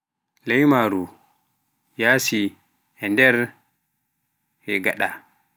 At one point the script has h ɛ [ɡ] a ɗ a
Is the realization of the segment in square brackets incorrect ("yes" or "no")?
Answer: no